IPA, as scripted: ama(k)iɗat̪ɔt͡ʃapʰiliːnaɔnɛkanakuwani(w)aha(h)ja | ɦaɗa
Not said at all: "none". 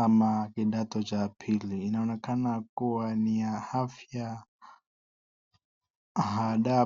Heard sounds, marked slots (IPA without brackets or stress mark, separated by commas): k, none, f